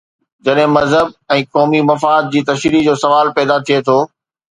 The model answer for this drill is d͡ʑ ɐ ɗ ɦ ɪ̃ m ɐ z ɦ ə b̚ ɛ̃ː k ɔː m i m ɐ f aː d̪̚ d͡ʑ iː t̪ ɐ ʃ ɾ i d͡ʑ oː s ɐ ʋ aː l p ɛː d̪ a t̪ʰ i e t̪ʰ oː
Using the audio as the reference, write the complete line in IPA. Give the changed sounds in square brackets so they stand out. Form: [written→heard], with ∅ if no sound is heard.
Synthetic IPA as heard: d͡ʑ ɐ ɗ ɦ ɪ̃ m ɐ z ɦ ə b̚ ɛ̃ː k ɔː m i m ɐ f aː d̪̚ d͡ʑ iː t̪ ɐ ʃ ɾ i d͡ʑ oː s ɐ ʋ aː l p ɛː d̪ a t̪ʰ i e t̪ʰ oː